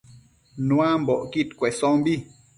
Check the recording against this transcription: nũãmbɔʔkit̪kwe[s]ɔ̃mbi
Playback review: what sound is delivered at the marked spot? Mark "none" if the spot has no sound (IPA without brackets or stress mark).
s